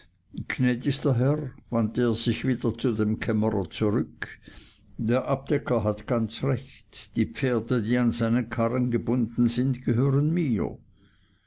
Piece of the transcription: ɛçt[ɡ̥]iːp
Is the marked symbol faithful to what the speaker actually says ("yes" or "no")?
no